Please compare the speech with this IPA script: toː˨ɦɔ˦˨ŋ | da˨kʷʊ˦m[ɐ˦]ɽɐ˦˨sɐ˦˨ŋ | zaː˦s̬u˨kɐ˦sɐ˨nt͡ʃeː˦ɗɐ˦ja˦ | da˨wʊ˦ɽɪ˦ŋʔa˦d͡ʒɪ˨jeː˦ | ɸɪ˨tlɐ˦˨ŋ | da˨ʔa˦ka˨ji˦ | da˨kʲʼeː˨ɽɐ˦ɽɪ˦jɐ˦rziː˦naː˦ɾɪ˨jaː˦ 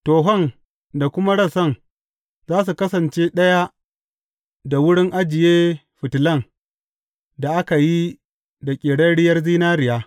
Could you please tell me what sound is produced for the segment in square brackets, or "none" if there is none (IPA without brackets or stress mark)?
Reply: a˦